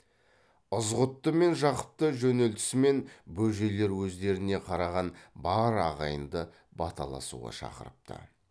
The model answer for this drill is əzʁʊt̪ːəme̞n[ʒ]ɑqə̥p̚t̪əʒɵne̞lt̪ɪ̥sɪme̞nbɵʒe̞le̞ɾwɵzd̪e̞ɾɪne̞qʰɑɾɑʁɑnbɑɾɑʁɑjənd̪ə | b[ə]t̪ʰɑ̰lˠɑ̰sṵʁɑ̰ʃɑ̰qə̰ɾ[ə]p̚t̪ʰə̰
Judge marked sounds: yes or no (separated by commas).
yes, no, yes